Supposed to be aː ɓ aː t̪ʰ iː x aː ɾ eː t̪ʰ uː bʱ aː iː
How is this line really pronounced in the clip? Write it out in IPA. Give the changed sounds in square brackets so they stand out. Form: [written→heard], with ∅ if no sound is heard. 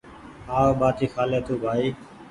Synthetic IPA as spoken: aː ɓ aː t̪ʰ iː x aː [ɾ→l] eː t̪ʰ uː bʱ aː iː